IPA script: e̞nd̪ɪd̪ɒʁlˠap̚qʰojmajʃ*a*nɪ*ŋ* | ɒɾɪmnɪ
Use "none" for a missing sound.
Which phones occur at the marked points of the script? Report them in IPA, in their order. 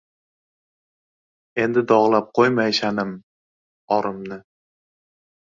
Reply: a, m

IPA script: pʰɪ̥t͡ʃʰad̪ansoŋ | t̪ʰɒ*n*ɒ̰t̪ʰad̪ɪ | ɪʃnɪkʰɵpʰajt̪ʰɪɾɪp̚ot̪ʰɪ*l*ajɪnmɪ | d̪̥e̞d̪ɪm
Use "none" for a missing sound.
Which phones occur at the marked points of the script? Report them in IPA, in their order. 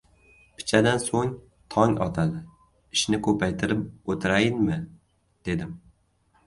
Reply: ŋ, ɾ

